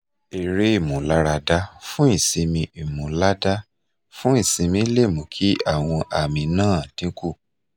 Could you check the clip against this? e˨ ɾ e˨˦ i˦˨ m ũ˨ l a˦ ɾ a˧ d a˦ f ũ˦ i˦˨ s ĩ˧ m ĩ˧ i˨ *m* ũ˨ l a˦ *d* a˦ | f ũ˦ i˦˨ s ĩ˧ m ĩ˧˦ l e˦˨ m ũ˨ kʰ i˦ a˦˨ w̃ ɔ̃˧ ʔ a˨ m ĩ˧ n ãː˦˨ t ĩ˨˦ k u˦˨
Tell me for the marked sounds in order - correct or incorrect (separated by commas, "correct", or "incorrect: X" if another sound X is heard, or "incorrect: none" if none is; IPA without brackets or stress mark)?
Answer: correct, correct